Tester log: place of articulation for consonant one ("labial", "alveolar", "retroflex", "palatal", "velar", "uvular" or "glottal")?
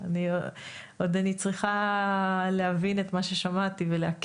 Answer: alveolar